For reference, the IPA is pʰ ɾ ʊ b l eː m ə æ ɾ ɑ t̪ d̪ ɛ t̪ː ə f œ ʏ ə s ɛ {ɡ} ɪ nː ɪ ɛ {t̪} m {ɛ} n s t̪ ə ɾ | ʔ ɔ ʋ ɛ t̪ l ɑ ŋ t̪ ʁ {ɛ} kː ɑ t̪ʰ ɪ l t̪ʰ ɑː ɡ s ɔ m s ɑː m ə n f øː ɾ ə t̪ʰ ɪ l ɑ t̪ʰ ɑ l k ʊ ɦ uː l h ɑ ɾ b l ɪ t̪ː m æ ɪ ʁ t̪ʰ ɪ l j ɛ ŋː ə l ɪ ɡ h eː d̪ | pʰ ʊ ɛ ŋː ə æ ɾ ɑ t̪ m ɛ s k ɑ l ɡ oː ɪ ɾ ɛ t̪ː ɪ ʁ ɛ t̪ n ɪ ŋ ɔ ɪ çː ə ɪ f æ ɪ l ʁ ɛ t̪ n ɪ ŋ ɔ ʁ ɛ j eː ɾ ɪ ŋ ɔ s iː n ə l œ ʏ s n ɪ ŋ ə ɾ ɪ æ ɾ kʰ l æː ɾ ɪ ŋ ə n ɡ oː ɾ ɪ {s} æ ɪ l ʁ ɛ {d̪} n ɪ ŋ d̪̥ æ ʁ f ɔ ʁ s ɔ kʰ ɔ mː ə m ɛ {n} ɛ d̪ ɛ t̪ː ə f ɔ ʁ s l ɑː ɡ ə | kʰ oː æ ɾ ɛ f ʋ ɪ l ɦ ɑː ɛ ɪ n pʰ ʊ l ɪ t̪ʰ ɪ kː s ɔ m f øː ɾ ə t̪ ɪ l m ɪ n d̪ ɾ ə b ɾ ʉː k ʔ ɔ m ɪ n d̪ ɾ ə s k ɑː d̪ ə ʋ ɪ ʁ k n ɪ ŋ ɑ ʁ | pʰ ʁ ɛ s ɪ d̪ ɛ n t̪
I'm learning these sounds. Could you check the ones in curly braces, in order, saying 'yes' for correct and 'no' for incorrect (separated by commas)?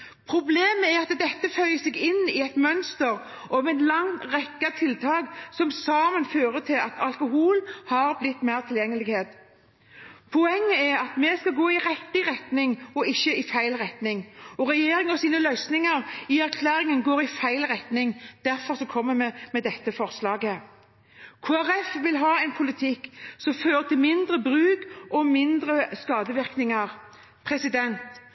yes, yes, no, yes, no, no, no